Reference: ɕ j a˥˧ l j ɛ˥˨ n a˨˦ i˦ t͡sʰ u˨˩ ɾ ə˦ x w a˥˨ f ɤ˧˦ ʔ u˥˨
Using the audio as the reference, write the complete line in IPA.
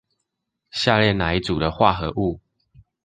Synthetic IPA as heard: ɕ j a˥˧ l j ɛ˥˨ n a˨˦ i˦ t͡s u˨˩ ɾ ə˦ x w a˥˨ x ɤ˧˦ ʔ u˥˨